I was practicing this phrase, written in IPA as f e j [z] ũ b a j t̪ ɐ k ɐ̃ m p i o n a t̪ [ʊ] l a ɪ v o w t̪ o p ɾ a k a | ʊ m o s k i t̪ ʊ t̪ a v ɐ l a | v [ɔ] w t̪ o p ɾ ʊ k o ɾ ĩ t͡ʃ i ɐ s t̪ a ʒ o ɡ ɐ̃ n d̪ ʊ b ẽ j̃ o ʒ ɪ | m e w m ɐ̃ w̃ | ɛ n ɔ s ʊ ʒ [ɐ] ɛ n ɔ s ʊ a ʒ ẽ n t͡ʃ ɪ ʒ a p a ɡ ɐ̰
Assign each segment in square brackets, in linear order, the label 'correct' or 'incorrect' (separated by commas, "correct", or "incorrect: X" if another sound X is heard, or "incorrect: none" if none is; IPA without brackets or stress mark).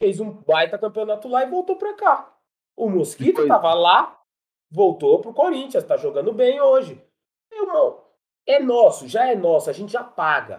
correct, correct, incorrect: o, incorrect: a